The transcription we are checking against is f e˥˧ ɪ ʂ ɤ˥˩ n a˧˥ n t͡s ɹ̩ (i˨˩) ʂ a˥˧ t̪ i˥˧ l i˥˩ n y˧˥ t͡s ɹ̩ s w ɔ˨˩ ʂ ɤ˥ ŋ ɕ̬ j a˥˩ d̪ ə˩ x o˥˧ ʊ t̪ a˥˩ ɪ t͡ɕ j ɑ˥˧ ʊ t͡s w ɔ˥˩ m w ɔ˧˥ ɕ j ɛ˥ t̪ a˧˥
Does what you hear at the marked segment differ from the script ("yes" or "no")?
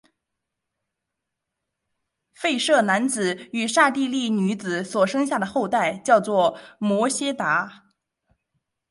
yes